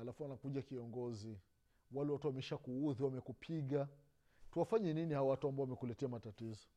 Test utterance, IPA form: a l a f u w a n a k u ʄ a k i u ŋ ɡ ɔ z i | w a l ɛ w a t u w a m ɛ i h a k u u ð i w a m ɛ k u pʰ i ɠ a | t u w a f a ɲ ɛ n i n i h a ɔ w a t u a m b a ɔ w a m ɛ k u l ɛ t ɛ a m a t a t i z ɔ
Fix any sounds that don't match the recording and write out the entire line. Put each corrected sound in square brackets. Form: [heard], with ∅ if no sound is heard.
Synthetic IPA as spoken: a l a f u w a n a k u ʄ a k i [ɔ] ŋ ɡ ɔ z i | w a l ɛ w a t u w a m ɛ i [ʃ] a k u u ð i w a m ɛ k u pʰ i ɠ a | t u w a f a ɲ ɛ n i n i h a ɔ w a t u a m b a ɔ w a m ɛ k u l ɛ t ɛ a m a t a t i z ɔ